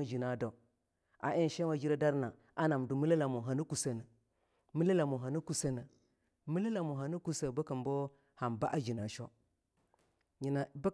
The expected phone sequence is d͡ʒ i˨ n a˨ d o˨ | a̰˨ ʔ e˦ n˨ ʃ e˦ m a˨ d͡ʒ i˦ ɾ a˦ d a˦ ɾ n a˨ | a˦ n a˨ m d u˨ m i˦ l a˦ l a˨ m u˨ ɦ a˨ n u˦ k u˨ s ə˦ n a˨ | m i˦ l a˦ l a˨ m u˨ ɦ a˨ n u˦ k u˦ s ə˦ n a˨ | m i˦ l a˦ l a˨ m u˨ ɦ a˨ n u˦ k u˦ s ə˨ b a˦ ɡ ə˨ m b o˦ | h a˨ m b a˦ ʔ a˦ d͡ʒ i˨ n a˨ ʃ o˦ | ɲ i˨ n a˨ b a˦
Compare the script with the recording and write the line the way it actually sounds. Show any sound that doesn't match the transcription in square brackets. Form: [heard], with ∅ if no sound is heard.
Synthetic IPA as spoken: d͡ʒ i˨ n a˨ d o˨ | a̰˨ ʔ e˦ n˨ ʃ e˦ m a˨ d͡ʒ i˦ ɾ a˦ d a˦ ɾ n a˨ | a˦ n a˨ m d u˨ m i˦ l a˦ l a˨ m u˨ ɦ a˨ n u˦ k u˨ s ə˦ n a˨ | m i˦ l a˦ l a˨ m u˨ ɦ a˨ n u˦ k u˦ s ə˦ n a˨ | m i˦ l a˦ l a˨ m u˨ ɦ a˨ n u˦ k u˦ s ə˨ b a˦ [k] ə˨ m b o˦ | h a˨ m b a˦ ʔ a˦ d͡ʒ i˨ n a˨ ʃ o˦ | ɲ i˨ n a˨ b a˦